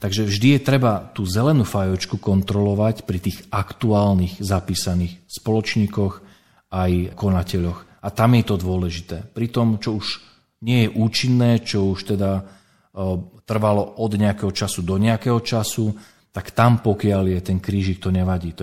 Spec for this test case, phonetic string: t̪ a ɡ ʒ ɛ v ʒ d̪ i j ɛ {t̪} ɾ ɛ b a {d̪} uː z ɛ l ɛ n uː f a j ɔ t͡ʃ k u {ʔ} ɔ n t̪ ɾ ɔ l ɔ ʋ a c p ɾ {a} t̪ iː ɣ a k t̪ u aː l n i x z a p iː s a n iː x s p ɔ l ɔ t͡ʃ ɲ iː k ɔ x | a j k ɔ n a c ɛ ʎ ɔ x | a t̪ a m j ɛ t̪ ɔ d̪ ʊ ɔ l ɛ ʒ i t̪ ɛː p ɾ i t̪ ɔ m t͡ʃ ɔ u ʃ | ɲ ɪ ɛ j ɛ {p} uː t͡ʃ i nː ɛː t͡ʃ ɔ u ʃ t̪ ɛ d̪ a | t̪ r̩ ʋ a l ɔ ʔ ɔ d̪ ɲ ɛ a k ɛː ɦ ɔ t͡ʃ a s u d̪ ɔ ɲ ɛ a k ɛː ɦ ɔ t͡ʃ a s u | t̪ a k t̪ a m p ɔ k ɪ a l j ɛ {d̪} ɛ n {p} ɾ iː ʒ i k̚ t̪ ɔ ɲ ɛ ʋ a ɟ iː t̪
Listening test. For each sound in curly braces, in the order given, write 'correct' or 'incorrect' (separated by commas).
correct, incorrect, incorrect, incorrect, incorrect, incorrect, incorrect